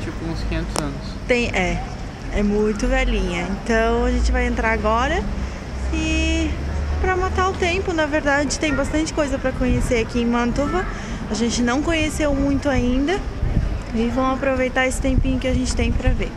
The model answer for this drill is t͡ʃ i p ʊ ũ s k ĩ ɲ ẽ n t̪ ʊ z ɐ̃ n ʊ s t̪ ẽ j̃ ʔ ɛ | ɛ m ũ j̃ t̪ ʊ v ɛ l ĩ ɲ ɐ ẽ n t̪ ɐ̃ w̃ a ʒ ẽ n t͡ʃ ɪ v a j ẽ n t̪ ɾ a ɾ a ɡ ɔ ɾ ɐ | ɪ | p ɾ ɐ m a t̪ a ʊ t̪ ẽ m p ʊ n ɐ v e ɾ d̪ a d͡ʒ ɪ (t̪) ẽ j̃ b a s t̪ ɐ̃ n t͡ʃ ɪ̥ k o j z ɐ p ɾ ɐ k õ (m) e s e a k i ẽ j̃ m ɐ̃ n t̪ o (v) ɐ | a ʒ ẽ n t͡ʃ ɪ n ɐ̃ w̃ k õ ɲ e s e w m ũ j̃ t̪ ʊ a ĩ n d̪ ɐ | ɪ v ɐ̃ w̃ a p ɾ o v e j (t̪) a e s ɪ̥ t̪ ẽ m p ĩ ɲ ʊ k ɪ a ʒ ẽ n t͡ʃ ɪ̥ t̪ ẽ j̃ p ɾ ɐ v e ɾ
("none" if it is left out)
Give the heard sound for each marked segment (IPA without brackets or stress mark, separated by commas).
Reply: t̪, ɲ, v, t̪